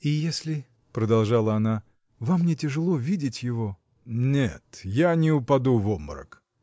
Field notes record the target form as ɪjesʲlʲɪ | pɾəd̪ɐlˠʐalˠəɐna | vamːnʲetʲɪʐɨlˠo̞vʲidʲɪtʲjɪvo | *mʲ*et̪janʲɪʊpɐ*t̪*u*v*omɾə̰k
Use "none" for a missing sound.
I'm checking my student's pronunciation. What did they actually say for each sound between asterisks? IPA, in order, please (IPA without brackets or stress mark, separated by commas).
nʲ, d̪, v